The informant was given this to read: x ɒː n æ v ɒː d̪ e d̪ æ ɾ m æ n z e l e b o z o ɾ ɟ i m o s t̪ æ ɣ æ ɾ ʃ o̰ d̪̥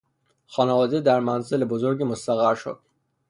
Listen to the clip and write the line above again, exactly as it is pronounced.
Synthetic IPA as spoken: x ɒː n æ v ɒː d̪ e d̪ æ ɾ m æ n z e l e b o z o ɾ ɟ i m o s t̪ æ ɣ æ ɾ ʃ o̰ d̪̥